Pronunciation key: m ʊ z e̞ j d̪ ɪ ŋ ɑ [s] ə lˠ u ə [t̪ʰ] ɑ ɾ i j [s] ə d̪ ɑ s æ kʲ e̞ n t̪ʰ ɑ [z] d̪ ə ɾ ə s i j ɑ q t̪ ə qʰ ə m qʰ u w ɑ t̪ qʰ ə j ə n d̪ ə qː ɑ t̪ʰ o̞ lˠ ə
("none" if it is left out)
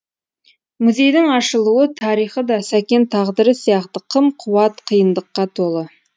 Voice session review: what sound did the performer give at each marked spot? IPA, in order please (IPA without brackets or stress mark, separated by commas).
ʃ, t̪ʰ, χ, ʁ